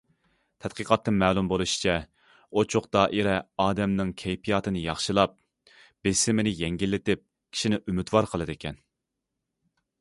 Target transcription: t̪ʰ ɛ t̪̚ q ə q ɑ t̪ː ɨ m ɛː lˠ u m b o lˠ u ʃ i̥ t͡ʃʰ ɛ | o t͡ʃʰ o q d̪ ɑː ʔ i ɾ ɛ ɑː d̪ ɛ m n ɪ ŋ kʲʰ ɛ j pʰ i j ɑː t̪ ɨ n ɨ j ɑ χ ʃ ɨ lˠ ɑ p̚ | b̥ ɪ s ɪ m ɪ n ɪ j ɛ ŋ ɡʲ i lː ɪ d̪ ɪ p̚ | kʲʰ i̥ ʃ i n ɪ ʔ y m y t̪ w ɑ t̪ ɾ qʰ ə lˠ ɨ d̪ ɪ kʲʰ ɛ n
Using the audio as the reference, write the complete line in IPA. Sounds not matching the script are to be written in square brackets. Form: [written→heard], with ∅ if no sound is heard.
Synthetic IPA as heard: t̪ʰ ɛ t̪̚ q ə q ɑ t̪ː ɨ m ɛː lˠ u m b o lˠ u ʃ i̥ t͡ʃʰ ɛ | o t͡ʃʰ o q d̪ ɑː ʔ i ɾ ɛ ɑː d̪ ɛ m n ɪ ŋ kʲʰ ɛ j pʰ i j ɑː t̪ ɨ n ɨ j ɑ χ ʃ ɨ lˠ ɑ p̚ | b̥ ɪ s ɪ m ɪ n ɪ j ɛ ŋ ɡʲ i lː ɪ [d̪→t̪] ɪ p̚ | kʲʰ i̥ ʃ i n ɪ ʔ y m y t̪ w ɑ [t̪→∅] ɾ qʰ ə lˠ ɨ d̪ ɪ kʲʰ ɛ n